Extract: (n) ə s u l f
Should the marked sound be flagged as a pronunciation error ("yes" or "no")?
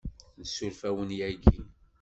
no